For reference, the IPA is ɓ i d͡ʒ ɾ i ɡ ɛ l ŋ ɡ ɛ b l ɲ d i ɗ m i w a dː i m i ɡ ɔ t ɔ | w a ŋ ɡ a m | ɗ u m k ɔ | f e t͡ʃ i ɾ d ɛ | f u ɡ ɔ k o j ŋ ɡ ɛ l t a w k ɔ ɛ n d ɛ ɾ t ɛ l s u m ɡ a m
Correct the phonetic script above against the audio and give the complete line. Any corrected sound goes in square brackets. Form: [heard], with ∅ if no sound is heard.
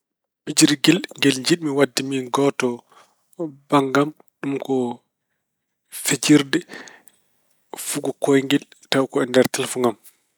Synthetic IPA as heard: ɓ i d͡ʒ ɾ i ɡ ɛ l ŋ ɡ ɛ [∅] l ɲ [d͡ʒ] i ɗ m i w a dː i m i ɡ ɔ t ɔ | [b] a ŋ ɡ a m | ɗ u m k ɔ | f e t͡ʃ i ɾ d ɛ | f u ɡ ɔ k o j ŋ ɡ ɛ l t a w k ɔ ɛ n d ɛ ɾ t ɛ l [f] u [ŋ] ɡ a m